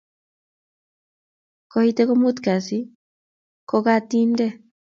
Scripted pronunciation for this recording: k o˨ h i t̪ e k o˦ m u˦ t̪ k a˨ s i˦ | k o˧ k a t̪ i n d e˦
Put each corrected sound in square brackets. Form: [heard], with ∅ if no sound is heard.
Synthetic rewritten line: k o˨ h i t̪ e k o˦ m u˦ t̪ k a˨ s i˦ | k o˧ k a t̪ i n d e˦